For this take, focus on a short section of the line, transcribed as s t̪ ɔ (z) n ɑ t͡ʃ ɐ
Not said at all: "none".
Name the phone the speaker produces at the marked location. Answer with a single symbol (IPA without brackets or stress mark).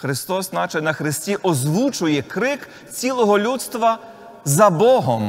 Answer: s